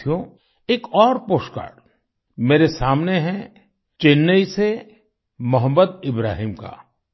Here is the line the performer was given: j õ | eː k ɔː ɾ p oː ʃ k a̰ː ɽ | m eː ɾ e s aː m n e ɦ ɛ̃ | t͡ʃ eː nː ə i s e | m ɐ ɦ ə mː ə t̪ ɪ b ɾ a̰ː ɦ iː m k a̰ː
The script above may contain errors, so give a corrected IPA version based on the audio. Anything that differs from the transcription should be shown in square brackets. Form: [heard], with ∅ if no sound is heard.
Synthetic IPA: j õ | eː k ɔː ɾ p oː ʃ k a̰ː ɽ | m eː ɾ e s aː m n e ɦ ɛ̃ | t͡ʃ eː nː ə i s e | m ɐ ɦ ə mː ə [d̪] ɪ b ɾ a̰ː ɦ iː m k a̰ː